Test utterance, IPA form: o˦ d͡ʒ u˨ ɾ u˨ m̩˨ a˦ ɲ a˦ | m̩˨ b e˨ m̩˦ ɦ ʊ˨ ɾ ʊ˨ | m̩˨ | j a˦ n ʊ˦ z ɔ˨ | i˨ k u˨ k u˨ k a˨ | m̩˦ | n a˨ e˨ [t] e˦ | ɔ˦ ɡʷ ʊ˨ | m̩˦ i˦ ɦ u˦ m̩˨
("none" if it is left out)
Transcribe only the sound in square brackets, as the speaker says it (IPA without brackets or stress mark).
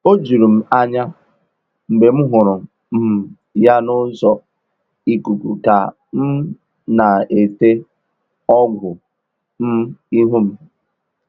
t